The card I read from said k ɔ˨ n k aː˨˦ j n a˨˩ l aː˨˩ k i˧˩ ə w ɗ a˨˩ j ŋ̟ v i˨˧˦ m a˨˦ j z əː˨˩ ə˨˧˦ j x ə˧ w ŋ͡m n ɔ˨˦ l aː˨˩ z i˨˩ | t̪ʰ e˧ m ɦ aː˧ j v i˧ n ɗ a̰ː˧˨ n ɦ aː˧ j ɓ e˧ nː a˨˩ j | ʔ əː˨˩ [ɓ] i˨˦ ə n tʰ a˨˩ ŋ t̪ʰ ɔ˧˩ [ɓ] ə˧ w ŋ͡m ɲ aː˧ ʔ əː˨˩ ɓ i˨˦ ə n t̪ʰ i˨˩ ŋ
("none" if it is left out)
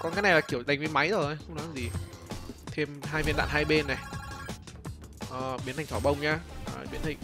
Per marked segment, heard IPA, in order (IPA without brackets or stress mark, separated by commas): ɓ, ɓ